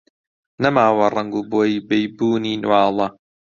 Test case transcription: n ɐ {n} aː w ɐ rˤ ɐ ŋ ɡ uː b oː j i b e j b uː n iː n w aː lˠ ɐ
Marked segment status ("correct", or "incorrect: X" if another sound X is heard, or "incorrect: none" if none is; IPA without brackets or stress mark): incorrect: m